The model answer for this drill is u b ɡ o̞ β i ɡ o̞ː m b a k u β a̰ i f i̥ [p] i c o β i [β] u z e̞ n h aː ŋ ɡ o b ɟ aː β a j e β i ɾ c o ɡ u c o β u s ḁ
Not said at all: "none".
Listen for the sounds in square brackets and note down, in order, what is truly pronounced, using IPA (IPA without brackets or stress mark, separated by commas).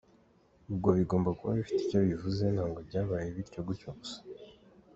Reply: t, v